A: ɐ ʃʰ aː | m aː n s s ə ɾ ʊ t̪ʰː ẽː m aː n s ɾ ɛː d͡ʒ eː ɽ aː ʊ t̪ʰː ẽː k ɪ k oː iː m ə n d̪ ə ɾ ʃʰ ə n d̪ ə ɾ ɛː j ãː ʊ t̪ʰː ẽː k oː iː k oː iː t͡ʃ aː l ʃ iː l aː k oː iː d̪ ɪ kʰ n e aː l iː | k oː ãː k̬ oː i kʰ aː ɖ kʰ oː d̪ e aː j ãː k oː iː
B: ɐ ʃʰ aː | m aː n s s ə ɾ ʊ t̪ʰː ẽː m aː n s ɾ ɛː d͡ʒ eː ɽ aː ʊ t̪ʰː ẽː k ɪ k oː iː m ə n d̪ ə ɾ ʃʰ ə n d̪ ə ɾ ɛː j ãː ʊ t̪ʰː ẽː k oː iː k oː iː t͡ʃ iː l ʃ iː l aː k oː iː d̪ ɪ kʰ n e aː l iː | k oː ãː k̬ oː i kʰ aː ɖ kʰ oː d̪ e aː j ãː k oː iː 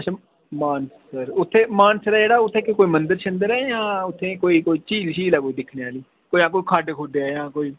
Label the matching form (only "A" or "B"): B